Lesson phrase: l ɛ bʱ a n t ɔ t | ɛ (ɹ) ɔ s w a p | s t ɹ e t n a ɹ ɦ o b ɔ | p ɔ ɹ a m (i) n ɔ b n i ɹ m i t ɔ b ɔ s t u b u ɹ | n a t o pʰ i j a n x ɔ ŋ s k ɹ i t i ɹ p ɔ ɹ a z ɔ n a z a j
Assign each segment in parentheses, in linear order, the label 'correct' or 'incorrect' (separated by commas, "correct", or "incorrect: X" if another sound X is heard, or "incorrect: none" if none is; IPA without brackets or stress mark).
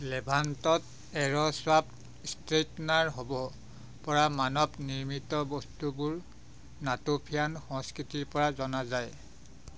correct, incorrect: a